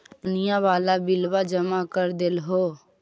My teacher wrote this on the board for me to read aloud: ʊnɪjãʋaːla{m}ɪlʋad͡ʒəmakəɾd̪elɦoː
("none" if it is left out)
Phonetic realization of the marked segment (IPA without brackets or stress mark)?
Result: b